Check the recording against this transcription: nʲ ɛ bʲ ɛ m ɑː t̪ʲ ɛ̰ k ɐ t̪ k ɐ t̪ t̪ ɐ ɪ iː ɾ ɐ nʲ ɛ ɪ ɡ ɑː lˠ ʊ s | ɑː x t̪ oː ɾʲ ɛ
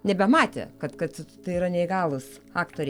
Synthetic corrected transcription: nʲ ɛ bʲ ɛ m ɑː t̪ʲ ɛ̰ k ɐ t̪ k ɐ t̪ t̪ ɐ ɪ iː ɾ ɐ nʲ ɛ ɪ ɡ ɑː lˠ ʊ s | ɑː k t̪ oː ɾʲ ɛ